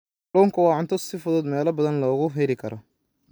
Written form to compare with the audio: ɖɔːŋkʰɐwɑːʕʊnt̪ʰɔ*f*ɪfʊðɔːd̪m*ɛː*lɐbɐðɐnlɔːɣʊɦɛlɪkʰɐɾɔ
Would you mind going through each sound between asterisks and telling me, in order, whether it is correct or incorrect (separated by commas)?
incorrect, correct